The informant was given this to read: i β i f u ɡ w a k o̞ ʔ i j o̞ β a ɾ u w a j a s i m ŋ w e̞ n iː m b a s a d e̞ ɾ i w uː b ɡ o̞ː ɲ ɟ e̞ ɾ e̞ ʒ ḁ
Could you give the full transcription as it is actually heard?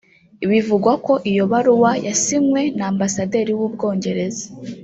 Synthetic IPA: i β i v u ɡ w a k o̞ ʔ i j o̞ β a ɾ u w a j a s i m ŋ w e̞ n aː m b a s a d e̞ ɾ i w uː b ɡ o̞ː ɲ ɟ e̞ ɾ e̞ z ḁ

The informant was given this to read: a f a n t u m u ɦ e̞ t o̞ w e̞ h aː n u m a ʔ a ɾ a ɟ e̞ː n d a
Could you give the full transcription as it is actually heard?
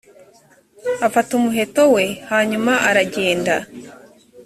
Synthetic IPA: a f a t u m u ɦ e̞ t o̞ w e̞ h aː ɲ u m a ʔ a ɾ a ɟ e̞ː n d a

